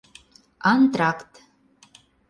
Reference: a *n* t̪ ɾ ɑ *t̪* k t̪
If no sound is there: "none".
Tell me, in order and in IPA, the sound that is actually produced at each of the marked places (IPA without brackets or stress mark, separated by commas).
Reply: n, none